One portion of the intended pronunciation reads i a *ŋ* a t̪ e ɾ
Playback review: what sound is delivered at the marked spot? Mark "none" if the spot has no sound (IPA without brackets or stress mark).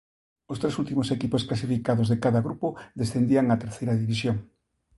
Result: ŋ